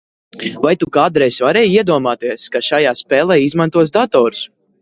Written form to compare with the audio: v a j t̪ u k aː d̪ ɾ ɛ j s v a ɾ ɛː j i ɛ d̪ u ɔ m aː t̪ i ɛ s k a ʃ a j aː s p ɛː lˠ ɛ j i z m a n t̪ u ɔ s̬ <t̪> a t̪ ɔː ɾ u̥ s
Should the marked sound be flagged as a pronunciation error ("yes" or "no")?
yes